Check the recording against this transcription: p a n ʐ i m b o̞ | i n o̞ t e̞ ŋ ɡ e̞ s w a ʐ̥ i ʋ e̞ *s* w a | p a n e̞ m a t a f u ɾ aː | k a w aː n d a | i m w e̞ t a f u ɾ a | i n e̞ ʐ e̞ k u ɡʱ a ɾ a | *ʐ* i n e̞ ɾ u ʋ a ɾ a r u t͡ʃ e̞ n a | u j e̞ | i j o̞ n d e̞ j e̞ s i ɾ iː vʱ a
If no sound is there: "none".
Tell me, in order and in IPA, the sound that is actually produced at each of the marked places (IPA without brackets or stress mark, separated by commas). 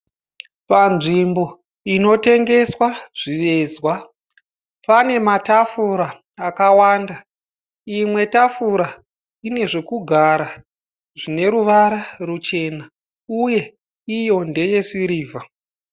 z, ʐ